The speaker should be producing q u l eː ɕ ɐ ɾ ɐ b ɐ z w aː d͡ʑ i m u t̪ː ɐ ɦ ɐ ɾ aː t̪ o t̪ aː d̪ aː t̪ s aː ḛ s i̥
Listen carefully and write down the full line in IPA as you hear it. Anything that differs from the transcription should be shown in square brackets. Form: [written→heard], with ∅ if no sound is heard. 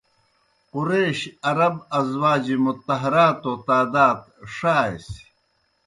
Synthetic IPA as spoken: q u [l→ɾ] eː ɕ ɐ ɾ ɐ b ɐ z w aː d͡ʑ i m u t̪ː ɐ ɦ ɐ ɾ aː t̪ o t̪ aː d̪ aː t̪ [s→ʂ] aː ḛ s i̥